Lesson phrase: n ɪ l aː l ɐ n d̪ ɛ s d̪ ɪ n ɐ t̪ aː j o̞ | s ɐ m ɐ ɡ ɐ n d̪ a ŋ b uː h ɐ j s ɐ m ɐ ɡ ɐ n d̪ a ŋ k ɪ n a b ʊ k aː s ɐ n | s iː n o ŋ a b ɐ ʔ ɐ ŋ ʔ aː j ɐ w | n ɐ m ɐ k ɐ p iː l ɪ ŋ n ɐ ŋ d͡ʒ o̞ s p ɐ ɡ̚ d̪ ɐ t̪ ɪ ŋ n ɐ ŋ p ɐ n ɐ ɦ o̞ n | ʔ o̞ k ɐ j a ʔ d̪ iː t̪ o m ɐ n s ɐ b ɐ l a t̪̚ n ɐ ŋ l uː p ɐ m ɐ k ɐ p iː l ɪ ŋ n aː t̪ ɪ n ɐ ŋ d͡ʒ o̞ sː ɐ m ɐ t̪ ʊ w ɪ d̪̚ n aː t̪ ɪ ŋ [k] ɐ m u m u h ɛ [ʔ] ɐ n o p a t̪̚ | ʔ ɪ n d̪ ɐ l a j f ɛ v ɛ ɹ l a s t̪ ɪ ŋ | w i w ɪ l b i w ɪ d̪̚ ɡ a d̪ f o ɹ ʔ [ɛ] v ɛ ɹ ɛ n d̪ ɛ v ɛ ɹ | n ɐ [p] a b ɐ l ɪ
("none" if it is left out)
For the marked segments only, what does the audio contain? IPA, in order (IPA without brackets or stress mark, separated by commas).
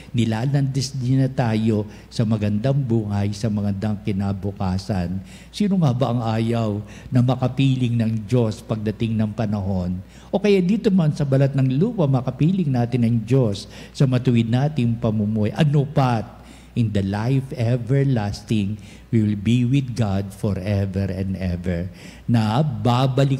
p, ʔ, ɛ, b